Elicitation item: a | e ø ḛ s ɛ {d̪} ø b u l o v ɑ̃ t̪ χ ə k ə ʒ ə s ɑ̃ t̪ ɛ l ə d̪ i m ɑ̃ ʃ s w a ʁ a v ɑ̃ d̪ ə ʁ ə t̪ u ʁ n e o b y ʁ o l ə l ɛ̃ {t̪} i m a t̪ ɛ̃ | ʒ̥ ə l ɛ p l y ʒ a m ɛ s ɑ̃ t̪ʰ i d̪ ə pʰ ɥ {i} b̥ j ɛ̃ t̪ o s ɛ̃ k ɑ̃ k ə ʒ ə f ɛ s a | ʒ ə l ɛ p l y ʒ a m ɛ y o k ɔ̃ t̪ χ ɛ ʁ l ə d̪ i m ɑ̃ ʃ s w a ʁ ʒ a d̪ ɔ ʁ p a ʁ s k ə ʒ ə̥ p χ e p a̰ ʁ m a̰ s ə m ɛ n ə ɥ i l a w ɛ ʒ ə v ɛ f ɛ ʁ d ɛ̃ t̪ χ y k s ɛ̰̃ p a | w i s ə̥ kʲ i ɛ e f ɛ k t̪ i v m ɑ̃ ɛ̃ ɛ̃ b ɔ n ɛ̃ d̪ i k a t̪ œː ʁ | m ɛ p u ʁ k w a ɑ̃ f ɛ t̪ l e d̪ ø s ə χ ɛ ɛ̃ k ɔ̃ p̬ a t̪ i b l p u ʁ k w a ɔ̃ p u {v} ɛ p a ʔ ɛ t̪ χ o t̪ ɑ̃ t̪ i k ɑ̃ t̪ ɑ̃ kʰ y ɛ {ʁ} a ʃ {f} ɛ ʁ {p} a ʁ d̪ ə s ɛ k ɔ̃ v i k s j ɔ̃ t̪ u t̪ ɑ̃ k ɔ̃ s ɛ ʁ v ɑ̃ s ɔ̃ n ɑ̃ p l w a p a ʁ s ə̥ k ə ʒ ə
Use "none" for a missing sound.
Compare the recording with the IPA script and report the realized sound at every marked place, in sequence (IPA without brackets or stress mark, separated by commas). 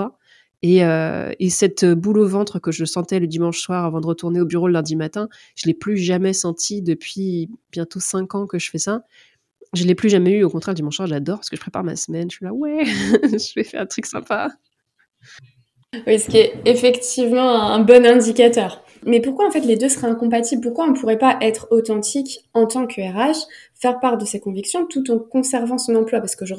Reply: t̪, d̪, i, ʁ, ʁ, f, p